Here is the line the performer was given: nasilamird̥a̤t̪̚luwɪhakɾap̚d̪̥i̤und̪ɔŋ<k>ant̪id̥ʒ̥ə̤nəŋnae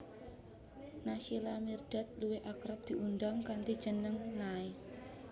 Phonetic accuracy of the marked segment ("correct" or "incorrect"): correct